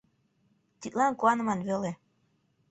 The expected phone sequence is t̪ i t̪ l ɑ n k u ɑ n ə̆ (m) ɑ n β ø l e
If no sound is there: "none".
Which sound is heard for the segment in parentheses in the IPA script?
m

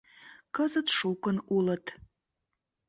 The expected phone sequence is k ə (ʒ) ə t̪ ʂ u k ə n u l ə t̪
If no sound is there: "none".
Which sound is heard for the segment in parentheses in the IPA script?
z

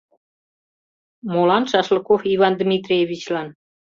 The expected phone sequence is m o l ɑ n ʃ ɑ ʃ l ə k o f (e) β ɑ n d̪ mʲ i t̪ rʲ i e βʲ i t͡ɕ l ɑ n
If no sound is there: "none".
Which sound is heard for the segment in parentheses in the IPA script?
i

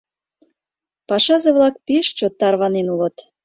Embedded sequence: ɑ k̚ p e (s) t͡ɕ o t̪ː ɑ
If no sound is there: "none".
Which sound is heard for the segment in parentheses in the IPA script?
ʃ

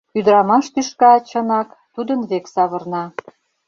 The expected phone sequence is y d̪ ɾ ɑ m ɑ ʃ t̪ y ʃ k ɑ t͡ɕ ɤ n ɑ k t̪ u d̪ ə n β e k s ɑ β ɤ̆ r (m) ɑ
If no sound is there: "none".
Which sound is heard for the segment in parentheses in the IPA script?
n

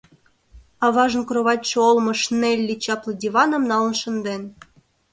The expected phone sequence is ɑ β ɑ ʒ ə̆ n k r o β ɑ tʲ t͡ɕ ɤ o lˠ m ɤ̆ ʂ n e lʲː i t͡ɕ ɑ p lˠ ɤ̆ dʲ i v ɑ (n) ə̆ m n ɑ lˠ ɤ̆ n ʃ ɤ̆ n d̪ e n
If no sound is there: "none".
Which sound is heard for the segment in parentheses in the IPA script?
n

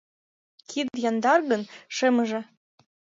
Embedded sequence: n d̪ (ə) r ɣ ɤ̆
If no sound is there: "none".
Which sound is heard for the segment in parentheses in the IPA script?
ɑ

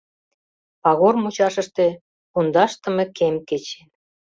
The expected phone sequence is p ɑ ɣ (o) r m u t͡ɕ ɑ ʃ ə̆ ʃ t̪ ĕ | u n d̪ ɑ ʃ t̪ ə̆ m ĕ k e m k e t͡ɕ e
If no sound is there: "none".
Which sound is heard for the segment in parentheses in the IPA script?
o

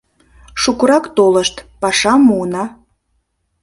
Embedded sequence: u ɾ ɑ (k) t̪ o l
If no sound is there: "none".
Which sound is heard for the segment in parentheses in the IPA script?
k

